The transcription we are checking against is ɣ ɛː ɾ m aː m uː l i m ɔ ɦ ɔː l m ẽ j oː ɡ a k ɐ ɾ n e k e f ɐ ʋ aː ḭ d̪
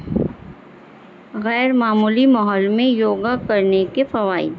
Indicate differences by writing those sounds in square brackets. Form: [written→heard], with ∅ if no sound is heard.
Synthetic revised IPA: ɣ ɛː ɾ m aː m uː l i m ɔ ɦ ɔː l m ẽ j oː ɡ a k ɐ ɾ n e k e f ɐ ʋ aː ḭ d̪